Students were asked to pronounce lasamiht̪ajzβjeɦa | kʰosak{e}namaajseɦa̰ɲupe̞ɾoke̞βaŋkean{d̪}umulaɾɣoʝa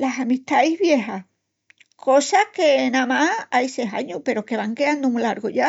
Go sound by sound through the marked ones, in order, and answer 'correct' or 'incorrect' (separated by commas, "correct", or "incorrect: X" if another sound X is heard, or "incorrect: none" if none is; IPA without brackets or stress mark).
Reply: correct, correct